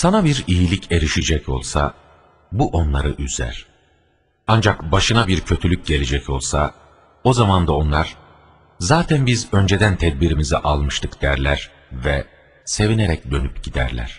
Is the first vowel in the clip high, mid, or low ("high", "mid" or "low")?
low